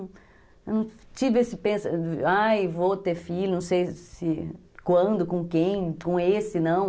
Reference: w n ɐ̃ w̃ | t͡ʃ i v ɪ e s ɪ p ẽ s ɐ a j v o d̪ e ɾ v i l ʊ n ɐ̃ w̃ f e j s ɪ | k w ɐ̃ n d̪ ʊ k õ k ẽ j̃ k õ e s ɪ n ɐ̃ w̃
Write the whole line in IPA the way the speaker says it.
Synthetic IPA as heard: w n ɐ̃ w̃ | t͡ʃ i v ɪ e s ɪ p ẽ s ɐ a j v o t̪ e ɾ f i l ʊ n ɐ̃ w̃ s e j s ɪ | k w ɐ̃ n d̪ ʊ k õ k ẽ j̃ k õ e s ɪ n ɐ̃ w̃